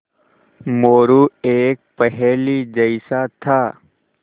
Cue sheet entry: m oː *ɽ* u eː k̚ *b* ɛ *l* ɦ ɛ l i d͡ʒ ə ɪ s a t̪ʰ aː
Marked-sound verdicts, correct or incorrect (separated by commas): incorrect, incorrect, incorrect